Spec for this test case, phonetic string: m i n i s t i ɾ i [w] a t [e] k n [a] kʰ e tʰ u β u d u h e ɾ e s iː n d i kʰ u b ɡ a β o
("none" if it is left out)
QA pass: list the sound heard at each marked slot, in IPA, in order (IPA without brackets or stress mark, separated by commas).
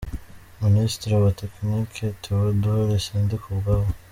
w, e, i